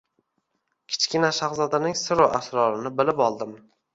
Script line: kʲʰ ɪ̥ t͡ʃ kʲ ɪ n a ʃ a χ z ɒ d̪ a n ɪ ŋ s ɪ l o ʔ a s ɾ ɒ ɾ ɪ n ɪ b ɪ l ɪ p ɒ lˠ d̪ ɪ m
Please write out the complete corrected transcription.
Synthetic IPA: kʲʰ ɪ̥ t͡ʃ kʲ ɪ n a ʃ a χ z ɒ d̪ a n ɪ ŋ s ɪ ɾ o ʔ a s ɾ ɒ ɾ ɪ n ɪ b ɪ l ɪ p ɒ lˠ d̪ ɪ m